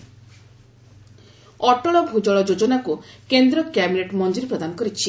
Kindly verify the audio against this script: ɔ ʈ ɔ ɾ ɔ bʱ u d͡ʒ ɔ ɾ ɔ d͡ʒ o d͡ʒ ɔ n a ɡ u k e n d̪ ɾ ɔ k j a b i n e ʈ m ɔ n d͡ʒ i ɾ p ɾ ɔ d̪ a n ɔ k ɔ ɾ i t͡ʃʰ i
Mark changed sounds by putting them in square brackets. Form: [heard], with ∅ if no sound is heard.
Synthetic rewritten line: ɔ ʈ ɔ [ɭ] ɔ bʱ u d͡ʒ ɔ [ɭ] ɔ d͡ʒ o d͡ʒ ɔ n a [k] u k e n d̪ ɾ ɔ k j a b i n e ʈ m ɔ n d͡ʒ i ɾ p ɾ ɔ d̪ a n ɔ k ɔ ɾ i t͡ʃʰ i